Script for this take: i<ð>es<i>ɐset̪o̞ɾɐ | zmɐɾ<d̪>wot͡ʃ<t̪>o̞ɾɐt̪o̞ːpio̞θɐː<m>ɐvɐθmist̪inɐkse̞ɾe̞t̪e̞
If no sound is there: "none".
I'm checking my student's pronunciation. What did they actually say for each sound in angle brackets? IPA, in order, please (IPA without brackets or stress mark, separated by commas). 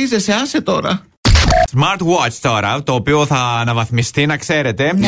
z, e, t̪, t̪, n